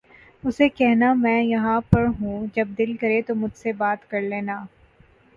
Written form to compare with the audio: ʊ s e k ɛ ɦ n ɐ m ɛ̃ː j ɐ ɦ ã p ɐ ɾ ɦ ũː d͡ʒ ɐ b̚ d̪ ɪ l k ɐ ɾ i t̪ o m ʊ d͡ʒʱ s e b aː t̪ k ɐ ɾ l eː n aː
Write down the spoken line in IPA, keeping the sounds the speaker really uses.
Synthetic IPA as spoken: ʊ s e k ɛ ɦ n a m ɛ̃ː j ɐ ɦ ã p ɐ ɾ ɦ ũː d͡ʒ ɐ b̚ d̪ ɪ l k ɐ ɾ e t̪ o m ʊ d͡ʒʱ s e b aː t̪ k ɐ ɾ l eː n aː